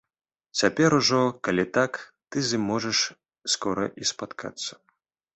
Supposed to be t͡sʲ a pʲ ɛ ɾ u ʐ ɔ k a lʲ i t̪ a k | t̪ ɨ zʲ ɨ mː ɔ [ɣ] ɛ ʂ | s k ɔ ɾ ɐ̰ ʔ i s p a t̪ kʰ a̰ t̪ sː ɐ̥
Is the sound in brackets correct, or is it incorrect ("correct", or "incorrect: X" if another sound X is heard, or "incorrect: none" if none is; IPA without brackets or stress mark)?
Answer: incorrect: ʐ